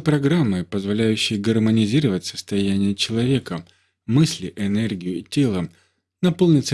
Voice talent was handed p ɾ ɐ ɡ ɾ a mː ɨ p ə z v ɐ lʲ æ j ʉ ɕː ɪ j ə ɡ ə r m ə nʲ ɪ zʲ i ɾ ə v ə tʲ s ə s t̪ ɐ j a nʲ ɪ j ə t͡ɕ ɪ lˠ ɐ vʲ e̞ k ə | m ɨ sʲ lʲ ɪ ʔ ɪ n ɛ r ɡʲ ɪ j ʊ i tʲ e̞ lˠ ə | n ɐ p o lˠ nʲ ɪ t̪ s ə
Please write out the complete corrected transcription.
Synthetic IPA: p ɾ ɐ ɡ ɾ a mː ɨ p ə z v ɐ lʲ æ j ʉ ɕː ɪ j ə ɡ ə r m ə nʲ ɪ zʲ i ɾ ə v ə tʲ s ə s t̪ ɐ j æ nʲ ɪ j ə t͡ɕ ɪ lˠ ɐ vʲ e̞ k ə | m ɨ sʲ lʲ ɪ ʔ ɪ n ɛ r ɡʲ ɪ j ʊ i tʲ e̞ lˠ ə | n ɐ p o lˠ nʲ ɪ t̪ s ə